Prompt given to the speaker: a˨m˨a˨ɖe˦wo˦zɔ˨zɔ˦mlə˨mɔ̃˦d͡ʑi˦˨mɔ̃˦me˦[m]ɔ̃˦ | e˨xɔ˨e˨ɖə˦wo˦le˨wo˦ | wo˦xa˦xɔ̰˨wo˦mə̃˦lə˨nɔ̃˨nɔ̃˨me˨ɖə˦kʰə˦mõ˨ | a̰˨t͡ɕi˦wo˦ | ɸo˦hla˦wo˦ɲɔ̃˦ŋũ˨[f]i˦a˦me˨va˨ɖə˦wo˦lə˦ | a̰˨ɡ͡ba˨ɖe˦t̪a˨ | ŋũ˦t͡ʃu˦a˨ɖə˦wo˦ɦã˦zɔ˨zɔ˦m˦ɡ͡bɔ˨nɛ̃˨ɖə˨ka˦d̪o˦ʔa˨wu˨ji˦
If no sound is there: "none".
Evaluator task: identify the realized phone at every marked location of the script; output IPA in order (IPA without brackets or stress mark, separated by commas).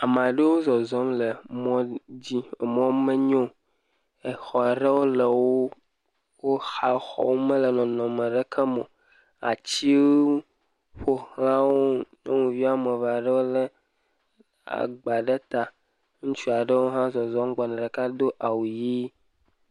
ɲ, v